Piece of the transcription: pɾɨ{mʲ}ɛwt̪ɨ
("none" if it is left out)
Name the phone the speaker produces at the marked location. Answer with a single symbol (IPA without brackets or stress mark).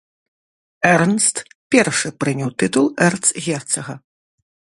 nʲ